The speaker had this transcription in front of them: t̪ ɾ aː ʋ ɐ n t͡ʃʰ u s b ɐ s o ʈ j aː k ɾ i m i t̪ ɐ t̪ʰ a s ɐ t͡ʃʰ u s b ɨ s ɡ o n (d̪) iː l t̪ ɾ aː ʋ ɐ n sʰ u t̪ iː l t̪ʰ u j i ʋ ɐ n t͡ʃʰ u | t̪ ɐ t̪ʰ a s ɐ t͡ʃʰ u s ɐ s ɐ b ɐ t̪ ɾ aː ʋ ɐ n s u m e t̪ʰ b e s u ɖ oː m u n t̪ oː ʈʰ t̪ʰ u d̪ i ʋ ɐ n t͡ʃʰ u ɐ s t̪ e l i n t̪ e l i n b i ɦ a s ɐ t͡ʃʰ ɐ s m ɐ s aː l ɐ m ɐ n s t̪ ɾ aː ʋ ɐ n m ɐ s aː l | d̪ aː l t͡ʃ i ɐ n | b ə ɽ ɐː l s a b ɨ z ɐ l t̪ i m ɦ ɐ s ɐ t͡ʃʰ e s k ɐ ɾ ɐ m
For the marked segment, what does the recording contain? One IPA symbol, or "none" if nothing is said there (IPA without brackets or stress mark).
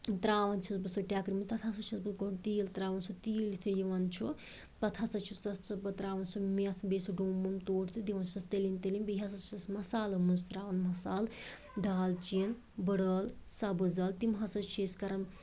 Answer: t̪